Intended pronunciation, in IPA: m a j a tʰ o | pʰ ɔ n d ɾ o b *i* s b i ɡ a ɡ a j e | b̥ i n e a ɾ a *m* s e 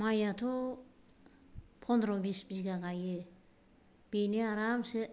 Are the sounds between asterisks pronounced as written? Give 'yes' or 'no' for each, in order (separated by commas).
yes, yes